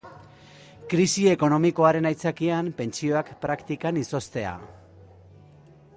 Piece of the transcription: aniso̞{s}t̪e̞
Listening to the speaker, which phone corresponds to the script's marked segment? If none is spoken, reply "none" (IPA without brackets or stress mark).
s